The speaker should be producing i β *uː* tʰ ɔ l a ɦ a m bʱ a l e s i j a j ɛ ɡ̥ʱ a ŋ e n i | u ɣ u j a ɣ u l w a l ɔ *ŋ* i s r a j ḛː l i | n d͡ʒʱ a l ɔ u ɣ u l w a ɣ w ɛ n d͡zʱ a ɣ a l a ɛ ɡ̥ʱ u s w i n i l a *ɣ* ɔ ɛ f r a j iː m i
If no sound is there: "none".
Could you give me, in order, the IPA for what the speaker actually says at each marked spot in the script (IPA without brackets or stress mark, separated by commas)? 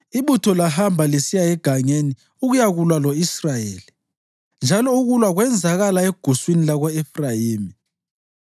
u, none, ɣ